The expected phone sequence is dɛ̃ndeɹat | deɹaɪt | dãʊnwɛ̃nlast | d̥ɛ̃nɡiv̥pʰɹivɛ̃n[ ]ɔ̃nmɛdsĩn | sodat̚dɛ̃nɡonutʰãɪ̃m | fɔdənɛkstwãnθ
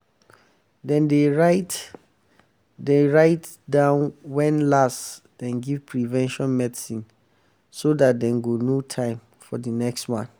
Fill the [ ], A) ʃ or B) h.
A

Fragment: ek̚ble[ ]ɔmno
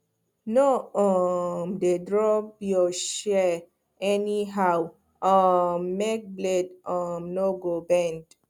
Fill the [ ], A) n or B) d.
B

